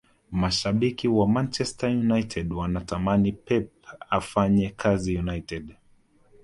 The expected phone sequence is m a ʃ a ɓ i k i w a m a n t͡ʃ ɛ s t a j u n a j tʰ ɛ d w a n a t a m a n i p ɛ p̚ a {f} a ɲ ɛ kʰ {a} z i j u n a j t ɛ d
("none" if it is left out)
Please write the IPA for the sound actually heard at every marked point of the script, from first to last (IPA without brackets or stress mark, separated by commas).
f, a